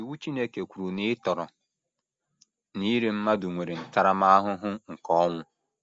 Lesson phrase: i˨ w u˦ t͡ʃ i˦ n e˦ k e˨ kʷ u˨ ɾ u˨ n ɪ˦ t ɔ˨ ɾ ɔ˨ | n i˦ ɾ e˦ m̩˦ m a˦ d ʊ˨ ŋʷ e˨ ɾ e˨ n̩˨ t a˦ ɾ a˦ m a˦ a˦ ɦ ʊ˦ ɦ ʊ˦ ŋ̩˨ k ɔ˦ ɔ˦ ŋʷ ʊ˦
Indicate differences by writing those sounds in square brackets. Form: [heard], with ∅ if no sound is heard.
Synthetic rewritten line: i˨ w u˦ t͡ʃ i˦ n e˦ k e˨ kʷ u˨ ɾ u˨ n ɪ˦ t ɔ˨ ɾ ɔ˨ | n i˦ ɾ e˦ m̩˦ m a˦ d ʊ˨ ŋʷ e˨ ɾ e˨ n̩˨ t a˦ ɾ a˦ m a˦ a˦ ɦ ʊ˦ ɦ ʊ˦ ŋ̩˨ k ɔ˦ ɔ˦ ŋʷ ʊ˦